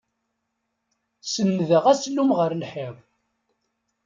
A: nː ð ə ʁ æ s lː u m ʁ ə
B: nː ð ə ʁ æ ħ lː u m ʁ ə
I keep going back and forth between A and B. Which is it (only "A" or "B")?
A